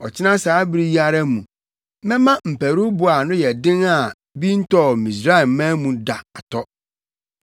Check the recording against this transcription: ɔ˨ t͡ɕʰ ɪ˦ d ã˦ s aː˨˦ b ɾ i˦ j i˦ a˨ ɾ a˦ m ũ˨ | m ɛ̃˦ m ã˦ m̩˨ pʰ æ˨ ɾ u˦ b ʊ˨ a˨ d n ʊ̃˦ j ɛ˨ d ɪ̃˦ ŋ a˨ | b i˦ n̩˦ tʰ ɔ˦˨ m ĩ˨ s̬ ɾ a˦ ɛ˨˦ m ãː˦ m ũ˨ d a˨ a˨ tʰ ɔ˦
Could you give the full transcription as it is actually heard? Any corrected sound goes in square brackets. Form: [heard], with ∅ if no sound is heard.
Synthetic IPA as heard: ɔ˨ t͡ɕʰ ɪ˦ [n] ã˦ s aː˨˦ b ɾ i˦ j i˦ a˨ ɾ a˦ m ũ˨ | m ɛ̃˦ m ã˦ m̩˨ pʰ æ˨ ɾ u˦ b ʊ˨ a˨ [∅] n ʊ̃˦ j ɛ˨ d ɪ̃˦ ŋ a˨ | b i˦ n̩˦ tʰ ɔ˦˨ m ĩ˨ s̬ ɾ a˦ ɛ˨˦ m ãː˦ m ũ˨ d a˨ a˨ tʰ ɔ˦